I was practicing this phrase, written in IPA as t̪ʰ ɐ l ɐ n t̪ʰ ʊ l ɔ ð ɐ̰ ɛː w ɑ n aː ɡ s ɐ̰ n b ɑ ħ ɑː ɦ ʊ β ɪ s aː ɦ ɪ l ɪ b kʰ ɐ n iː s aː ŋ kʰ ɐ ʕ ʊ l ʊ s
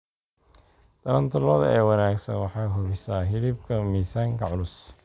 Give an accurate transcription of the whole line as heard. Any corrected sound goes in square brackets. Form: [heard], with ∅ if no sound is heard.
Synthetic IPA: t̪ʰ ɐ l ɐ n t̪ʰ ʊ l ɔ ð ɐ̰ ɛː w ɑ n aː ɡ s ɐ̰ n [w] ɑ ħ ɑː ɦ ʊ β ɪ s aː ɦ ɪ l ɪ b kʰ ɐ [m] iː s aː ŋ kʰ ɐ ʕ ʊ l ʊ s